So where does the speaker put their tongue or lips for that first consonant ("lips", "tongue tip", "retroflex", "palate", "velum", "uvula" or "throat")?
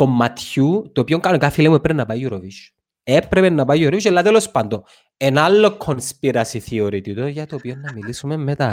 velum